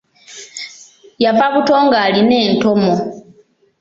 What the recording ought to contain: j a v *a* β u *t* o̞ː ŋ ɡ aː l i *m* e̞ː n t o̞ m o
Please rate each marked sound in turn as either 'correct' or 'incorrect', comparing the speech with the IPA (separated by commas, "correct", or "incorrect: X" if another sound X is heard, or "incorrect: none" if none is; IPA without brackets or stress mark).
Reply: correct, correct, incorrect: n